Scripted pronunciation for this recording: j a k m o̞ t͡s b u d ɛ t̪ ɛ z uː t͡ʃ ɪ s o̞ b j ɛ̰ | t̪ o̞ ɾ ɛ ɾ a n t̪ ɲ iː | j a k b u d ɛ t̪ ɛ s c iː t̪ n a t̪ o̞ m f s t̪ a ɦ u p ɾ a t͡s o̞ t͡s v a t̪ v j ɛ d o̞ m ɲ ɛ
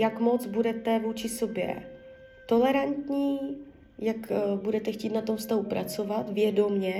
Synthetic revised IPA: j a k m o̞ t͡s b u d ɛ t̪ ɛ v uː t͡ʃ ɪ s o̞ b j ɛ̰ | t̪ o̞ l ɛ ɾ a n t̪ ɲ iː | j a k b u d ɛ t̪ ɛ x c iː t̪ n a t̪ o̞ m f s t̪ a ɦ u p ɾ a t͡s o̞ v a t̪ v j ɛ d o̞ m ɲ ɛ